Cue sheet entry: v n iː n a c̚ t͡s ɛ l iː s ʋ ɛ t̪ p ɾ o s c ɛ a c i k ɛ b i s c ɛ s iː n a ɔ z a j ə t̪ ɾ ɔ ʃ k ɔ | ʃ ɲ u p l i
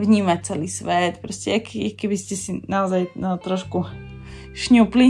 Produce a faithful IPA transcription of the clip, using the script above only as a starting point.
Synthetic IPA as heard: v ɲ iː m a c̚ t͡s ɛ l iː s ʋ ɛ t̪ p ɾ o s c ɛ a k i k ɛ b i s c ɛ s i n a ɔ z a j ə t̪ ɾ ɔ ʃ k u | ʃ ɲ u p l i